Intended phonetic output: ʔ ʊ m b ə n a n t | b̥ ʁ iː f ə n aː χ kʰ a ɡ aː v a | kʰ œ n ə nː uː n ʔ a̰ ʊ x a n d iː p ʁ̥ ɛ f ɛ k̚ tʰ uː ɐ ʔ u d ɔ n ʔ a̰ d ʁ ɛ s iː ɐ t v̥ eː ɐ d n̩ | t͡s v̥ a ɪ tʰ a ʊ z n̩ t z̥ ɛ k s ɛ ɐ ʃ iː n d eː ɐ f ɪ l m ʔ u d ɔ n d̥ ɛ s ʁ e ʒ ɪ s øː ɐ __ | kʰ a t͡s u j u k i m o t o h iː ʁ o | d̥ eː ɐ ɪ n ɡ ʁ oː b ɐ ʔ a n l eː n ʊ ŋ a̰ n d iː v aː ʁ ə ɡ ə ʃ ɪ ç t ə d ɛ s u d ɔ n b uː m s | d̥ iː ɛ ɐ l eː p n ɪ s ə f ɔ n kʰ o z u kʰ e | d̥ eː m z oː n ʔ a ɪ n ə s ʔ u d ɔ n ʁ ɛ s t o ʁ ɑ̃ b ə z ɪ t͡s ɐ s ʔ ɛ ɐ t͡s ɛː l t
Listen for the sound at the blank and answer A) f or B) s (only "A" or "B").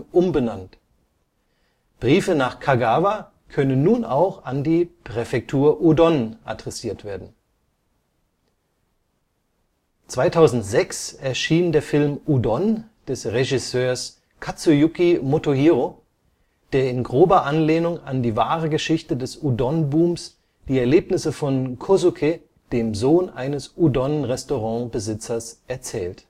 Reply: B